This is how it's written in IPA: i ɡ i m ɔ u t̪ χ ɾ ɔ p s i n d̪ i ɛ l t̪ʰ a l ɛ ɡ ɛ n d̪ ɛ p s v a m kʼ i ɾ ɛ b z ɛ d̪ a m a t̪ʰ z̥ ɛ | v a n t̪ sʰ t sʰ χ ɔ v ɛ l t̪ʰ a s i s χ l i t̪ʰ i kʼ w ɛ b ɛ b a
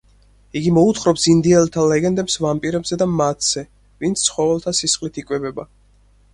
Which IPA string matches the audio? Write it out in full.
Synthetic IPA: i ɡ i m ɔ u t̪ χ ɾ ɔ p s i n d̪ i ɛ l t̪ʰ a l ɛ ɡ ɛ n d̪ ɛ p s v a m pʼ i ɾ ɛ b z ɛ d̪ a m a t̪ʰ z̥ ɛ | v i n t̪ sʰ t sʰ χ ɔ v ɛ l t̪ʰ a s i s χ l i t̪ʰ i kʼ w ɛ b ɛ b a